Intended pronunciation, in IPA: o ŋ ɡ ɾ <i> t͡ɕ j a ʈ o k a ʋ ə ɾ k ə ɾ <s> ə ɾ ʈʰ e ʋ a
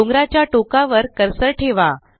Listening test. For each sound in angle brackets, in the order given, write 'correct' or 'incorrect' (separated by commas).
incorrect, correct